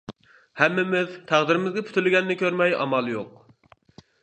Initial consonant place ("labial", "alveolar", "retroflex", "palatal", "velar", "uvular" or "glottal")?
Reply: glottal